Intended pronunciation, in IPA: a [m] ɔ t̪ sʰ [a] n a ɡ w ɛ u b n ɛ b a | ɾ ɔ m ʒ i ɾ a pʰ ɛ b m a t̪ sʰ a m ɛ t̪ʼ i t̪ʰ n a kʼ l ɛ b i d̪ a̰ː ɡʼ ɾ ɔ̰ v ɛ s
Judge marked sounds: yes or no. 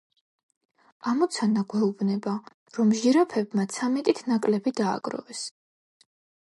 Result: yes, yes

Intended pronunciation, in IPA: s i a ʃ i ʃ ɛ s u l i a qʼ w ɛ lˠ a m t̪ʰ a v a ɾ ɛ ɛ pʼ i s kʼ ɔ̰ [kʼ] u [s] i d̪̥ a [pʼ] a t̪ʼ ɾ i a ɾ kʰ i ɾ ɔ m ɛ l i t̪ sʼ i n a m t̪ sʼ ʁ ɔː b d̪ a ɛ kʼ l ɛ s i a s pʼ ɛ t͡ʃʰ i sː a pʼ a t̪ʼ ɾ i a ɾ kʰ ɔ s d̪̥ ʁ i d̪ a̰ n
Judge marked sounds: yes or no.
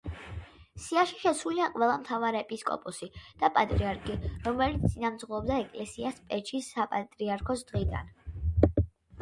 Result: no, yes, yes

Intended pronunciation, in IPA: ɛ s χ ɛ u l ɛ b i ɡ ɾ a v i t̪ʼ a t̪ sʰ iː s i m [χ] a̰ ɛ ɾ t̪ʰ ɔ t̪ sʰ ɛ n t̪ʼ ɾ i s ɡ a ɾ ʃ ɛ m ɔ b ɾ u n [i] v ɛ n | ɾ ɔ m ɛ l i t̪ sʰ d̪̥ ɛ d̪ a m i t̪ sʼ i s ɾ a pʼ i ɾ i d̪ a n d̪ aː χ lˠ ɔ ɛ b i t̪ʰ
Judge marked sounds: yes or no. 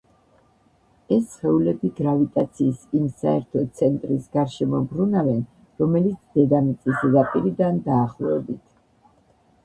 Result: no, no

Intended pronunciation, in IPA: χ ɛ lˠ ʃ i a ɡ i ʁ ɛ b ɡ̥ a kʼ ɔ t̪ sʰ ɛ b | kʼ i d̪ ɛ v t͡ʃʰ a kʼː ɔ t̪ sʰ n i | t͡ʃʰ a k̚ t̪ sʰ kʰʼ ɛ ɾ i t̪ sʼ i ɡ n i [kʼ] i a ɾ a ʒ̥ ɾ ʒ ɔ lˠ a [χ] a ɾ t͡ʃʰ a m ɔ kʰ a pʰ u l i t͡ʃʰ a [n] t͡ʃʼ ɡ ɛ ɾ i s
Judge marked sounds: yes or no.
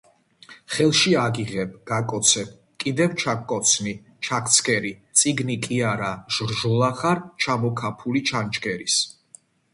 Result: yes, yes, yes

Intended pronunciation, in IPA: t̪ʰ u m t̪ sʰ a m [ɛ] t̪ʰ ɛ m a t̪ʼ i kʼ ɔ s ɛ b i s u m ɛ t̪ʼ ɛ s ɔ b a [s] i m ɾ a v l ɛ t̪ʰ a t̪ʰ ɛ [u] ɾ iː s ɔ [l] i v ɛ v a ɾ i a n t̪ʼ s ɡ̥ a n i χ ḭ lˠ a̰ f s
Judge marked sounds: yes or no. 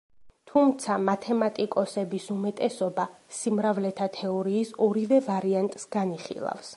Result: no, yes, no, no

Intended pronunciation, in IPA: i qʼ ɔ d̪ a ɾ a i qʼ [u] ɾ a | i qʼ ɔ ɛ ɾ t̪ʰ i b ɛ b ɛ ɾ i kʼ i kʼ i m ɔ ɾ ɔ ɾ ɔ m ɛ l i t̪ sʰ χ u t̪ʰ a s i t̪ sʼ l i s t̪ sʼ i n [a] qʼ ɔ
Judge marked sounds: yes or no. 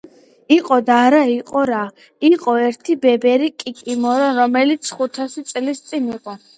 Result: no, no

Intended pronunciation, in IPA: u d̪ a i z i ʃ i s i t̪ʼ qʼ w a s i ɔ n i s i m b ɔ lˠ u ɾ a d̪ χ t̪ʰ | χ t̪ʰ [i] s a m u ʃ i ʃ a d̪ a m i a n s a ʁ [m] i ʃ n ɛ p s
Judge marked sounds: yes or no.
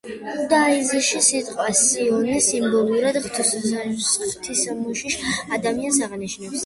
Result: yes, no

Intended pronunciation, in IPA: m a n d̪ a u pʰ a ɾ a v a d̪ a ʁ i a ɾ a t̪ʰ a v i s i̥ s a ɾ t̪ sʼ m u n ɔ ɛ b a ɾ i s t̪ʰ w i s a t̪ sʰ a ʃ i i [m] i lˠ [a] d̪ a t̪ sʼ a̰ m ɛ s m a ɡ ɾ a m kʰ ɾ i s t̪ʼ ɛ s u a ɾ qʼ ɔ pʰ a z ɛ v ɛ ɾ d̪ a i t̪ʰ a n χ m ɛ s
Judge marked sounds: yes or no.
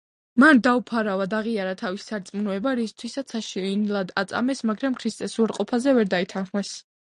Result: no, yes

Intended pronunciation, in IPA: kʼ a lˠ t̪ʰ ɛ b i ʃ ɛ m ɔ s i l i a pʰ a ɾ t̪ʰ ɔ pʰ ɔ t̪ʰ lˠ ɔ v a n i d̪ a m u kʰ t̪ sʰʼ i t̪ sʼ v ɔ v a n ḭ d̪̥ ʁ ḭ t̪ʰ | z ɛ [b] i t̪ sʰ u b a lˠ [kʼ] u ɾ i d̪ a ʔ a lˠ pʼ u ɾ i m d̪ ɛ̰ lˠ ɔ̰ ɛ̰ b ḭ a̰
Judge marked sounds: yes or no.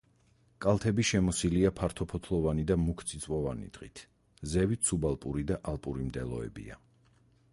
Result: no, no

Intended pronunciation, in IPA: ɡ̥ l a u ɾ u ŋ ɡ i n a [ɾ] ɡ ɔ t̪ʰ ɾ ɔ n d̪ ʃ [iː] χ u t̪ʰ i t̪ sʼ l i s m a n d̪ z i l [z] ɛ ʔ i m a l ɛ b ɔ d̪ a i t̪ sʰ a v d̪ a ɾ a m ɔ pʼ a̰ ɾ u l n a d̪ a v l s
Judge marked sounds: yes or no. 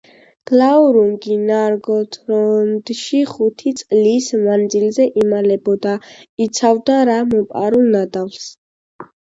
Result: yes, no, yes

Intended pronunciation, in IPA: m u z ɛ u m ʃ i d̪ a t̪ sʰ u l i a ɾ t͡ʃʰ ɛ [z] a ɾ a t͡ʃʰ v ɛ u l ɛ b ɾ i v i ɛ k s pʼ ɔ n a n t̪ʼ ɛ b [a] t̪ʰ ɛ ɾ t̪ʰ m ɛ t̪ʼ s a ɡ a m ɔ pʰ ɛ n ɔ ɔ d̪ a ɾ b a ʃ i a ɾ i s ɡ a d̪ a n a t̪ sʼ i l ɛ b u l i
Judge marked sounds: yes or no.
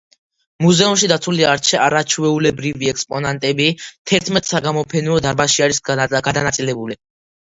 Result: no, no

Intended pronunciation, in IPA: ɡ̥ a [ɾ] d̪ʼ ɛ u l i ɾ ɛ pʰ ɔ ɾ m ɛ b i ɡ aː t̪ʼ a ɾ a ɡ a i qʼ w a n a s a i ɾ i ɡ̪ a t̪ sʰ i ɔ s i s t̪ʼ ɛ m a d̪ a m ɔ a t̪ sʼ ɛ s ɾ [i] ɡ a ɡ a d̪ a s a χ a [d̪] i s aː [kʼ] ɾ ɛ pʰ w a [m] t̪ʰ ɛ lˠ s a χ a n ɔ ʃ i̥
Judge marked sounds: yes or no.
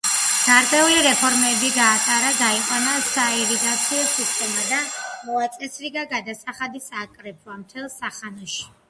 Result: yes, yes, yes, yes, yes

